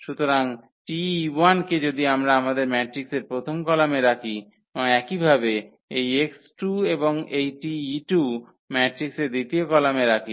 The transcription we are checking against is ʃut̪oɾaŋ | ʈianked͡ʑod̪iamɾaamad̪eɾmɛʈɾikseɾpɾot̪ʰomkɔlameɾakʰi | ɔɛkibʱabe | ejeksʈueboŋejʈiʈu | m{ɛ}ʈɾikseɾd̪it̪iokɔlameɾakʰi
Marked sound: correct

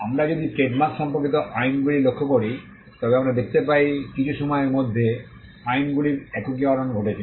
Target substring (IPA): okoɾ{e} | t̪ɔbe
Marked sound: incorrect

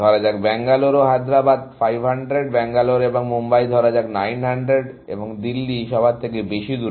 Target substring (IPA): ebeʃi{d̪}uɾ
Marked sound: correct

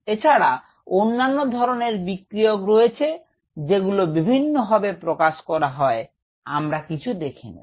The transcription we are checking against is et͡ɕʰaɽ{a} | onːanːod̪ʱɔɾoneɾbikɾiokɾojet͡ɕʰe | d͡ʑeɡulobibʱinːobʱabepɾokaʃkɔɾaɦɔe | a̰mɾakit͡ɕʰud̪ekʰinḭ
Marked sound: correct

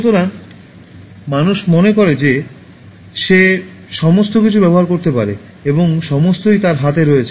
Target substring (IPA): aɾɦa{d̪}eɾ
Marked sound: incorrect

